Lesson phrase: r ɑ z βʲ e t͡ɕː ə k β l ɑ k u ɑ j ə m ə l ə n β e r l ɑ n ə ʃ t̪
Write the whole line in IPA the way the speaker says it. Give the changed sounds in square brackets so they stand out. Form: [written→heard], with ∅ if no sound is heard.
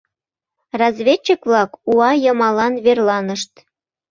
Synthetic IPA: r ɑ z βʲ e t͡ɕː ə k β l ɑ k u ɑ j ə m [ə→ɑ] l [ə→ɑ] n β e r l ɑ n ə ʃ t̪